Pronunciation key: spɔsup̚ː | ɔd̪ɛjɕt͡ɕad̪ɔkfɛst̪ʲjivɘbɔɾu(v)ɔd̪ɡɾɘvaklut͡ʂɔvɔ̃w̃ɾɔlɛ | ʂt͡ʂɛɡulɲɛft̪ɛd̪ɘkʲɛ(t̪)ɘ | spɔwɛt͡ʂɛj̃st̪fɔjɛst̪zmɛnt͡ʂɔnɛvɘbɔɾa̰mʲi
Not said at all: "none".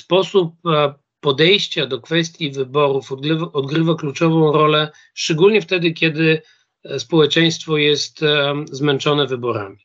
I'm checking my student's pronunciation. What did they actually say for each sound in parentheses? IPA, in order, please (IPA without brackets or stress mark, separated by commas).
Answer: f, d̪